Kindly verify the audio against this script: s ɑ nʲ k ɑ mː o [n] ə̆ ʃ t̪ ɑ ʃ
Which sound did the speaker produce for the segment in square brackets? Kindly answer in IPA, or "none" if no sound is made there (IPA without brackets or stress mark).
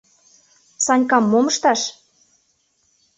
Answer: m